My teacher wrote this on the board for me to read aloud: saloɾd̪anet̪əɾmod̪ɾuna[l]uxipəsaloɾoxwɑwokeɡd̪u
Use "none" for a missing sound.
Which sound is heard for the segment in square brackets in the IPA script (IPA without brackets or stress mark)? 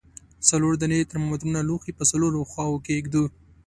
l